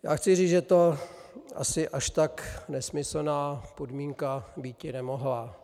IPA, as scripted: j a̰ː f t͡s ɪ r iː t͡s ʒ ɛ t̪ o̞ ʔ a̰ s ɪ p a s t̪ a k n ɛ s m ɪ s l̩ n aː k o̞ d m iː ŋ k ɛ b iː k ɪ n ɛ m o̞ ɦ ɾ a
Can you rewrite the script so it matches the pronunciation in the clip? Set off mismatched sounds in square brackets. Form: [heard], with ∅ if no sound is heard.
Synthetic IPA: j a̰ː [x] t͡s ɪ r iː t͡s ʒ ɛ t̪ o̞ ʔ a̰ s ɪ [ʔ] a [ʃ] t̪ a k n ɛ s m ɪ s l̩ n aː [p] o̞ d m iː ŋ k [a] b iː [c] ɪ n ɛ m o̞ ɦ [l] a